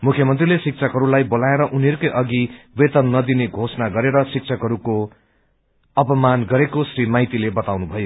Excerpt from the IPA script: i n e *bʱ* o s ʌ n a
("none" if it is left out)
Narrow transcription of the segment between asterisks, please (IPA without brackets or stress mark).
ɡʱ